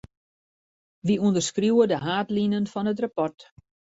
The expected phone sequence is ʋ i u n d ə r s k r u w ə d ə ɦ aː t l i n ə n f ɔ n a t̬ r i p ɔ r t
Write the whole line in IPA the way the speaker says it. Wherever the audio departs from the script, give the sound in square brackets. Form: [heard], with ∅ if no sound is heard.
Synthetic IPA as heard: ʋ i u n d ə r s k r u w ə d ə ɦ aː t l i n ə n f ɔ n [ə] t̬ r [a] p ɔ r t